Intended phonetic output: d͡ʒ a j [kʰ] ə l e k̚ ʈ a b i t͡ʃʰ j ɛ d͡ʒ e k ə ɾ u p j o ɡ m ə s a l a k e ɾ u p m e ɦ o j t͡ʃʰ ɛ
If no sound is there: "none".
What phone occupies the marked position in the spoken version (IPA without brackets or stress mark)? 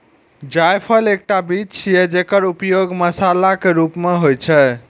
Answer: pʰ